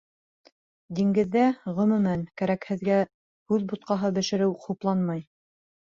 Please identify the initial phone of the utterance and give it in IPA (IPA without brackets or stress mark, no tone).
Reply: d̪